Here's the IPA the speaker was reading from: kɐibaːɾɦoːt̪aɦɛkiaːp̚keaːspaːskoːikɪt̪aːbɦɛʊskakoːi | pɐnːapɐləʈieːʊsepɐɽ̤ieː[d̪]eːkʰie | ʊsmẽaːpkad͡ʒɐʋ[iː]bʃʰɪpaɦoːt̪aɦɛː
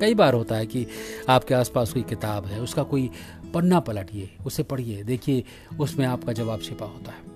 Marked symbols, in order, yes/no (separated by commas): yes, no